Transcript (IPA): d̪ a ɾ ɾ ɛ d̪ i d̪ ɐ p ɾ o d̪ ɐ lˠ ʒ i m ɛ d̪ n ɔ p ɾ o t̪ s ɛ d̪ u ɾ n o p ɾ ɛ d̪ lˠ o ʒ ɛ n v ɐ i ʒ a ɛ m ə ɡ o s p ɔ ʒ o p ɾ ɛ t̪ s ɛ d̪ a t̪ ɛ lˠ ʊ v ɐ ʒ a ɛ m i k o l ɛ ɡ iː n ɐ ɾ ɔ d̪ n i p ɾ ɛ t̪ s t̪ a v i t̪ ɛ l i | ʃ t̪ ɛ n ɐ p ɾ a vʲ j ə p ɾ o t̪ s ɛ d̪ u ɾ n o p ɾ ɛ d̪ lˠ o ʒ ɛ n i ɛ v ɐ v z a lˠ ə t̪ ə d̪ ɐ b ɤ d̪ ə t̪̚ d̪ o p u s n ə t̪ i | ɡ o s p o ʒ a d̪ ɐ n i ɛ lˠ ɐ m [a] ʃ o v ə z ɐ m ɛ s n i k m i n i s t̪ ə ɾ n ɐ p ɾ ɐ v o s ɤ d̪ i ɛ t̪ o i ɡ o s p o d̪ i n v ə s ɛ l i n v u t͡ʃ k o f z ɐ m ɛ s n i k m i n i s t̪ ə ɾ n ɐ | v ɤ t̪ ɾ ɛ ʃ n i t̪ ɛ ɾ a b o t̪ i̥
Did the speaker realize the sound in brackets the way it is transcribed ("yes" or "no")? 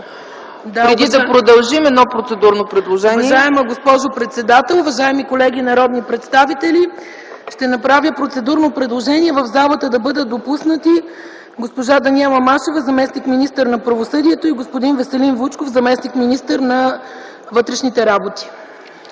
yes